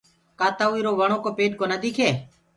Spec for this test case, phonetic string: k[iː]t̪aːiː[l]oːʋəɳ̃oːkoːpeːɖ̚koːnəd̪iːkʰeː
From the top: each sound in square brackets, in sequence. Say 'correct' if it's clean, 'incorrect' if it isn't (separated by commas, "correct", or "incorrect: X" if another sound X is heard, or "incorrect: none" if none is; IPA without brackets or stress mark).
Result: incorrect: aː, incorrect: ɾ